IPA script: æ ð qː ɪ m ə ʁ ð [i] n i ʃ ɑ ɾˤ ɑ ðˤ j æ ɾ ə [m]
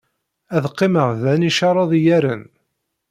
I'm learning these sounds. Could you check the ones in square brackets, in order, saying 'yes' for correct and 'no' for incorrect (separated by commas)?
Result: no, no